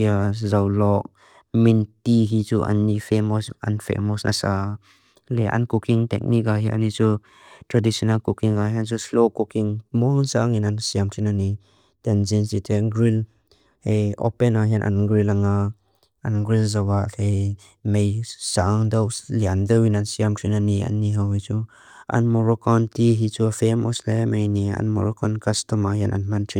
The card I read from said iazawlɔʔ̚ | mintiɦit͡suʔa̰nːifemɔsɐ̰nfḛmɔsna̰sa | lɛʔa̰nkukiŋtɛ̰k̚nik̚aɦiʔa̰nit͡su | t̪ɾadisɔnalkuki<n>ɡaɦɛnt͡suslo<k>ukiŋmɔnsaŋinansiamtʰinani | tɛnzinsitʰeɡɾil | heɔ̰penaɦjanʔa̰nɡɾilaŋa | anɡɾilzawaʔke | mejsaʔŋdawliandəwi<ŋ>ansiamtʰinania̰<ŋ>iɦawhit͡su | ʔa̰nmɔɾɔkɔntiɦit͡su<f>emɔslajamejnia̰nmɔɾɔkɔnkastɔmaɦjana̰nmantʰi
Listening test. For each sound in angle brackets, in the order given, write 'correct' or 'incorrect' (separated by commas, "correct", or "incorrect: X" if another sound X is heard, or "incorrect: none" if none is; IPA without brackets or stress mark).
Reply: incorrect: ŋ, correct, incorrect: n, incorrect: n, correct